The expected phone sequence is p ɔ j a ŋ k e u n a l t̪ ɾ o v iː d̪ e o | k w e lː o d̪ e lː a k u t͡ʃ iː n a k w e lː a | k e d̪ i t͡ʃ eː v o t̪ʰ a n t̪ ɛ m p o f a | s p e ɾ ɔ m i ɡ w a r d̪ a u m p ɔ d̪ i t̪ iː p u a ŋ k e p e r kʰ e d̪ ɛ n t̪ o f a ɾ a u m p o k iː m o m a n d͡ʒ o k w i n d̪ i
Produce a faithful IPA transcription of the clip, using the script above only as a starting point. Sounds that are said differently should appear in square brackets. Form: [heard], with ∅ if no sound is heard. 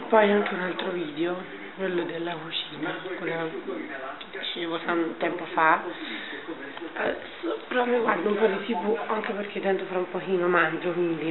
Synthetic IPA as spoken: p ɔ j a ŋ k e u n a l t̪ ɾ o v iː d̪ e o | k w e lː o d̪ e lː a k u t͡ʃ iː n a k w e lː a | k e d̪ i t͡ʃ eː v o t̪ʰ a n t̪ ɛ m p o f a | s p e ɾ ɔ m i ɡ w a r d̪ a u m p ɔ d̪ i t̪ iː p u a ŋ k e p e r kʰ e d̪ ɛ n t̪ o f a ɾ a u m p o k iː [n] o m a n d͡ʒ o k w i n d̪ i

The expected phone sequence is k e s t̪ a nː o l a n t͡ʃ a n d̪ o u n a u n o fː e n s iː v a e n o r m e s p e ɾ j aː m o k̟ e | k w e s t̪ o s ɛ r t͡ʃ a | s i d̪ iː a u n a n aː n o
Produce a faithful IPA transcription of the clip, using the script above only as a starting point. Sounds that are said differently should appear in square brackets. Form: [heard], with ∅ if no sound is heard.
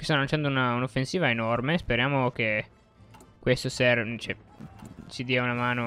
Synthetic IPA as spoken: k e s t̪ a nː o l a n t͡ʃ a n d̪ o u n a u n o fː e n s iː v a e n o r m e s p e ɾ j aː m o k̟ e | k w e s t̪ o s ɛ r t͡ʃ [ɛ] | s i d̪ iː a u n a [m] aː n o

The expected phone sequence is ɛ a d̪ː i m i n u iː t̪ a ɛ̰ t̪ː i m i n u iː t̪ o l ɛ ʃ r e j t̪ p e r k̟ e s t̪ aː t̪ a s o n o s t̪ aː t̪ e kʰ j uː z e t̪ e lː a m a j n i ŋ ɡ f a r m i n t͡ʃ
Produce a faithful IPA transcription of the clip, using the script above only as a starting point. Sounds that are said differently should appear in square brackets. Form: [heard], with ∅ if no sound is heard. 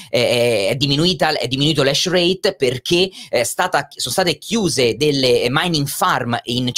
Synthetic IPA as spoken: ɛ [ɛ] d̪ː i m i n u iː t̪ a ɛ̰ [d̪ː] i m i n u iː t̪ o l ɛ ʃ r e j t̪ p e r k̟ e s t̪ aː t̪ a s o n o s t̪ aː t̪ e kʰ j uː z e [d̪] e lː [e] m a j n i ŋ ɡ f a r m i n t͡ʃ

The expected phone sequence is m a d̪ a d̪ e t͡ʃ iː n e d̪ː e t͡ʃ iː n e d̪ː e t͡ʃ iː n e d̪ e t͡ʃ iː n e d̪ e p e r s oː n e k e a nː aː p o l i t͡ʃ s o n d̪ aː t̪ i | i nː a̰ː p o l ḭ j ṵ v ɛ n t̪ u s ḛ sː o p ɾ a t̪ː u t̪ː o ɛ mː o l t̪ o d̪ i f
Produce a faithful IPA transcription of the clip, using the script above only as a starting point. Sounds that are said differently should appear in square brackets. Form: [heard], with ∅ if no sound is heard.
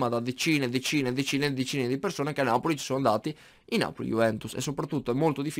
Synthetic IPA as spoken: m a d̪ a d̪ e t͡ʃ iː n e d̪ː e t͡ʃ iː n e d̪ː e t͡ʃ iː n e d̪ e t͡ʃ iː n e d̪ [i] p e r s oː n e k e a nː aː p o l i t͡ʃ s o n d̪ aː t̪ i | i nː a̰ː p o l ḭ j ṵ v ɛ n t̪ u s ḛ sː o p ɾ a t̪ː u t̪ː o ɛ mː o l t̪ o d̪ i f

